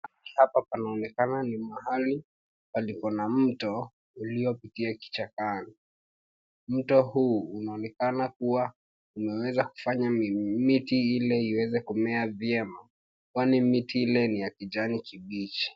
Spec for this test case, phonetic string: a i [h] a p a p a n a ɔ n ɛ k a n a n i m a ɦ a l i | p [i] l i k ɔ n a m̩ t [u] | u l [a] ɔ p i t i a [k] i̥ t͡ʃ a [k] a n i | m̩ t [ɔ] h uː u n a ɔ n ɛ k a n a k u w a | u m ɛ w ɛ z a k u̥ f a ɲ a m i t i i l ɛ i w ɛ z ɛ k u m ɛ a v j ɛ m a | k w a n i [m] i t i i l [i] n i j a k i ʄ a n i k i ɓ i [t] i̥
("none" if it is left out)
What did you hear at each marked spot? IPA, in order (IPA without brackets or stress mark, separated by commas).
h, a, ɔ, i, k, k, ɔ, m, ɛ, t͡ʃ